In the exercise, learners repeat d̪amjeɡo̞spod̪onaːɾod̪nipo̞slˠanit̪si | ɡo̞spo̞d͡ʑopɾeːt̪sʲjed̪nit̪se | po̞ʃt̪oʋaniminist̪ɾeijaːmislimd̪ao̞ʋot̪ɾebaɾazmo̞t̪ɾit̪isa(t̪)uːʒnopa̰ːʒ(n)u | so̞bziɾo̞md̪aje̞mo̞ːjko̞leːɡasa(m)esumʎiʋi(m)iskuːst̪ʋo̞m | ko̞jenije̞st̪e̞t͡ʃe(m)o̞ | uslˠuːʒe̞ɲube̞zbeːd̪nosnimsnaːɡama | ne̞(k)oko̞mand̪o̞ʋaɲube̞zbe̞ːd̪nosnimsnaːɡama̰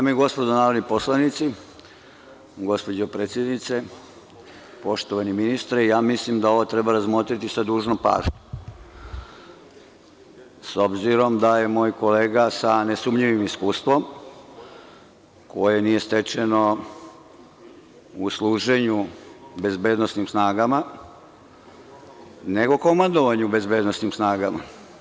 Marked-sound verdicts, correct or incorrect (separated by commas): incorrect, incorrect, incorrect, correct, incorrect, incorrect